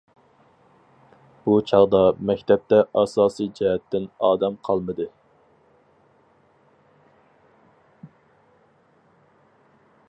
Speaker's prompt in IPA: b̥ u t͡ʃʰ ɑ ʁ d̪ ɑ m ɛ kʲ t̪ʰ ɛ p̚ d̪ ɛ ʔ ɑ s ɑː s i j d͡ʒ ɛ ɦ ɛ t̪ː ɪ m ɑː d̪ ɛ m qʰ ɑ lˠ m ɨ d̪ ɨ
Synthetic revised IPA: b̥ u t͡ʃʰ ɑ ʁ d̪ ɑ m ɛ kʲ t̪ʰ ɛ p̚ t̪ ɛ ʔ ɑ s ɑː s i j d͡ʒ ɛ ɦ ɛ t̪ː ɪ n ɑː d̪ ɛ m qʰ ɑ lˠ m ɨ d̪ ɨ